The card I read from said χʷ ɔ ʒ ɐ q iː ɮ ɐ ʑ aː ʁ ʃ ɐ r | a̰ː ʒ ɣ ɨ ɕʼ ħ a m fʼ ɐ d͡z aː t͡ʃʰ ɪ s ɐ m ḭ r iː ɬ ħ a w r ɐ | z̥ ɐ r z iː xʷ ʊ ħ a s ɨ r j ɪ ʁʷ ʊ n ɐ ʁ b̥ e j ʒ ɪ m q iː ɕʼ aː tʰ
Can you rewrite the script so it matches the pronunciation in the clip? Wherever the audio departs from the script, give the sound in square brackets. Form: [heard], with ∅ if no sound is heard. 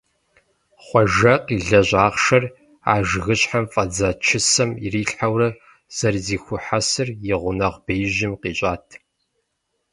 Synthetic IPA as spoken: χʷ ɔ ʒ ɐ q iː ɮ ɐ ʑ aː ʁ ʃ ɐ r | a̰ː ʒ ɣ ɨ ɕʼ ħ a m fʼ ɐ d͡z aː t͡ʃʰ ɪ s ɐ m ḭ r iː ɬ ħ a w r ɐ | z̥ ɐ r z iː xʷ ʊ ħ a s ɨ r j ɪ ʁʷ ʊ n ɐ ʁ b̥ e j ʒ ɪ m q iː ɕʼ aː tʰ